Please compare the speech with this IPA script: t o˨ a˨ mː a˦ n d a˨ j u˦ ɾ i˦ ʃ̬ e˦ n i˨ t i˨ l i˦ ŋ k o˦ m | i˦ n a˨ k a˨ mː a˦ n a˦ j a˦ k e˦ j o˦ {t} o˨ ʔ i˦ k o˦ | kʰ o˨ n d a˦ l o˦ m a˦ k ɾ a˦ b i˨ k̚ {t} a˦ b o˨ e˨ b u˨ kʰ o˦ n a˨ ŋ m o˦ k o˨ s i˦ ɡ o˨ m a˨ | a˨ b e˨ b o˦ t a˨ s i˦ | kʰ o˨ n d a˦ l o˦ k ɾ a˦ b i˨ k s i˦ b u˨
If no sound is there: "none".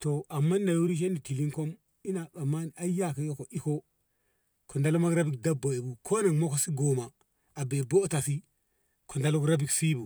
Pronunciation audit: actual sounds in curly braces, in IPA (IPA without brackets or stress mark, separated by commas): k, d